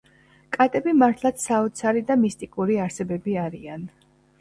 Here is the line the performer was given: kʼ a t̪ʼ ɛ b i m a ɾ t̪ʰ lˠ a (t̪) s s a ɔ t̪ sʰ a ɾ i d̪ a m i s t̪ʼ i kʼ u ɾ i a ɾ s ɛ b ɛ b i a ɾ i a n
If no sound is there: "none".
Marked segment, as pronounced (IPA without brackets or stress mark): t̪